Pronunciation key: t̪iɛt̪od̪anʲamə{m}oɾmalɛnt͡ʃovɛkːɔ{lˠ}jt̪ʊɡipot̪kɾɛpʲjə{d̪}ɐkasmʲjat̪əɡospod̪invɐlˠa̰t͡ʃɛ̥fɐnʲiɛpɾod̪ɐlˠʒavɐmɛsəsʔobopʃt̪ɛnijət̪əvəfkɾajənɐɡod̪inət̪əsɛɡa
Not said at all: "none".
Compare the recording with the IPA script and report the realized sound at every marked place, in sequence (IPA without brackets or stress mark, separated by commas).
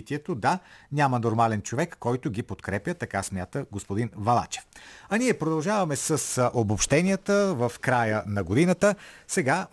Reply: n, none, t̪